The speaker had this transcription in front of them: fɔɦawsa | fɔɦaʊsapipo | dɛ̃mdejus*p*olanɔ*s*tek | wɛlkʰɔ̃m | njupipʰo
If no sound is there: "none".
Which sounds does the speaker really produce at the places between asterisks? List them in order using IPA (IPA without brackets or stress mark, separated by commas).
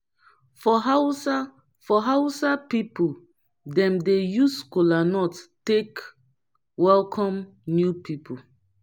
k, t